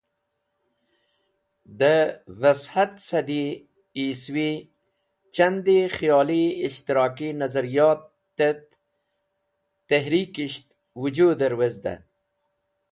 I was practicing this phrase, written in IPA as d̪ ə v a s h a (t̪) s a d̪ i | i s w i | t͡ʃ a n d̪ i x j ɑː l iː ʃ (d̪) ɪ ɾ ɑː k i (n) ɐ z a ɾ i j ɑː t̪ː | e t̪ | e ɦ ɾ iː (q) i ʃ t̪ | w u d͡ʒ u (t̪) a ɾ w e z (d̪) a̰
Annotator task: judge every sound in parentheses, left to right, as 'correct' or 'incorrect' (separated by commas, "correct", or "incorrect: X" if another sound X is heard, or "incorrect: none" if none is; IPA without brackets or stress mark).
correct, incorrect: t̪, correct, incorrect: k, incorrect: d̪, correct